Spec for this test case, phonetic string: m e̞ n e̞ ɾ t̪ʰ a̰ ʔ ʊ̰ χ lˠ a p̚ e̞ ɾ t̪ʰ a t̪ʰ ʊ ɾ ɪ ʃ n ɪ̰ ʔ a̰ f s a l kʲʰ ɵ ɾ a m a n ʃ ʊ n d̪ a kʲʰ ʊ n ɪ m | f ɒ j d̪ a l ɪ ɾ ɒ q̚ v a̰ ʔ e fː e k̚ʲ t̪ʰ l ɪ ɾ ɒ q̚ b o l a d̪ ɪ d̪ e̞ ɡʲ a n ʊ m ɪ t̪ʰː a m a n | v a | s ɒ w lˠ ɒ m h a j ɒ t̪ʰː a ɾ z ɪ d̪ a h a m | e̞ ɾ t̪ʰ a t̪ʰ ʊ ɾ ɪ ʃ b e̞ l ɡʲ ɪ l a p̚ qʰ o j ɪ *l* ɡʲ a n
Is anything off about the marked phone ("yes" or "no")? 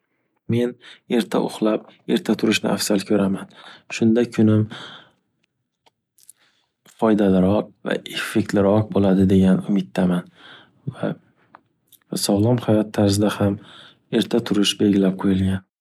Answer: no